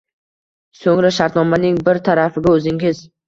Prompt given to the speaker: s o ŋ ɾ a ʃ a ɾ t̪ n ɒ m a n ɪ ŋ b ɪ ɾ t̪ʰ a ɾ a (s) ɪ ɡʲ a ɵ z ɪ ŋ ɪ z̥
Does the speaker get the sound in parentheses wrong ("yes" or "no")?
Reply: yes